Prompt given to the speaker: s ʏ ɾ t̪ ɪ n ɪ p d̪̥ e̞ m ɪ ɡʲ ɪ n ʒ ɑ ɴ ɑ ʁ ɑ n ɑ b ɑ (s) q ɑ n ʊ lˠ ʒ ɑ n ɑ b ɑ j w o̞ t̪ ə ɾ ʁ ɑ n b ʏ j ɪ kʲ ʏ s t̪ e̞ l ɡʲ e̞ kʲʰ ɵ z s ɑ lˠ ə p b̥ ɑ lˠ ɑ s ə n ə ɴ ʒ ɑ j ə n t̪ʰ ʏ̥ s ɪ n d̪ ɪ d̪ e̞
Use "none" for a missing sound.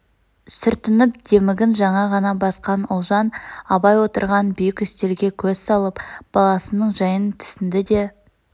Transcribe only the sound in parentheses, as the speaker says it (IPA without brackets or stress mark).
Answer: s